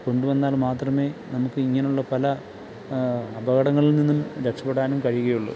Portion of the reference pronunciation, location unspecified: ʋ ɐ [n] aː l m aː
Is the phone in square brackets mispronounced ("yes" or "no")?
yes